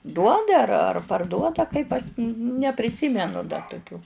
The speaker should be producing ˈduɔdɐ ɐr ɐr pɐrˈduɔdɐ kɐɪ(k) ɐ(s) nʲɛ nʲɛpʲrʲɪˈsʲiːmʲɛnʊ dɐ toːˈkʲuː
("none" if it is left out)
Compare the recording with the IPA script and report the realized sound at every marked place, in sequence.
p, ʃ

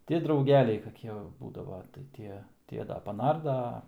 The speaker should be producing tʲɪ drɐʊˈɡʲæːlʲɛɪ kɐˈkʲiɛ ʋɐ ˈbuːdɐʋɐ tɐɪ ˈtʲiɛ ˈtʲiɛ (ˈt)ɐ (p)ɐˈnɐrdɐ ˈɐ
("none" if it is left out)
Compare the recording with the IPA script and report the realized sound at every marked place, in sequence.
d, p

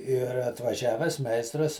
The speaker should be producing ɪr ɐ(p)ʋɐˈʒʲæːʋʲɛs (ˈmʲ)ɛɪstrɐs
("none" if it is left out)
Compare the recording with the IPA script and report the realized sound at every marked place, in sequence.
t, mʲ

